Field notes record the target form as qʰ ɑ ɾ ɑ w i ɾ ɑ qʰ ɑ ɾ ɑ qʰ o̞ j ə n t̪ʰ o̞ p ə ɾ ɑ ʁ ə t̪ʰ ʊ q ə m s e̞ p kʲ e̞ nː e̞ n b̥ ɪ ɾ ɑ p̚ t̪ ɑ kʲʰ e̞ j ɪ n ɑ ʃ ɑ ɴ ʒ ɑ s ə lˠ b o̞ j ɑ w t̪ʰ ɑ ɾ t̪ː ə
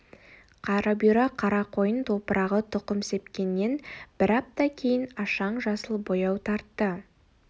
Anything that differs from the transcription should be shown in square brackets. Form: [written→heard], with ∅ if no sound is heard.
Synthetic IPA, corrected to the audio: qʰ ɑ ɾ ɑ [w→b] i ɾ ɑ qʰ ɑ ɾ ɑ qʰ o̞ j ə n t̪ʰ o̞ p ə ɾ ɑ ʁ ə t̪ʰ ʊ q ə m s e̞ p kʲ e̞ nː e̞ n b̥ ɪ ɾ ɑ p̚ t̪ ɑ kʲʰ e̞ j ɪ n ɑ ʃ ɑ ɴ ʒ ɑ s ə lˠ b o̞ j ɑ w t̪ʰ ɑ ɾ t̪ː ə